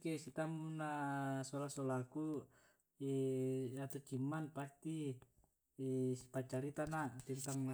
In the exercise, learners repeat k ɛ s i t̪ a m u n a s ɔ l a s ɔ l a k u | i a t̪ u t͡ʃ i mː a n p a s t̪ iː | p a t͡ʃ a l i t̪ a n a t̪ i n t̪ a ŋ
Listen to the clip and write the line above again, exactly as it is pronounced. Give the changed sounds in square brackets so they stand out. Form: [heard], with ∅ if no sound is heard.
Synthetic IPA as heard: k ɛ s i t̪ a m u n a s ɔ l a s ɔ l a k u | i a t̪ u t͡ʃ i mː a n p a s t̪ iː | p a t͡ʃ a [ɾ] i t̪ a n a t̪ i n t̪ a ŋ